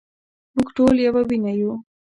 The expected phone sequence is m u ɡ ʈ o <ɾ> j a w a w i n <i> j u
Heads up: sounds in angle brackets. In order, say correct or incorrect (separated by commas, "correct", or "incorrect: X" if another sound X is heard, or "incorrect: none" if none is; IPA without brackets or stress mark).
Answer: incorrect: l, incorrect: a